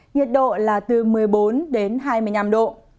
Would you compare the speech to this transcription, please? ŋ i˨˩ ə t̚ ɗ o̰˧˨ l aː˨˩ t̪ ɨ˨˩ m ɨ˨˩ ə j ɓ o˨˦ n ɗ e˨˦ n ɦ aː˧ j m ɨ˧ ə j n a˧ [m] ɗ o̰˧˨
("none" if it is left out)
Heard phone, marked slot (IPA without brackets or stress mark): m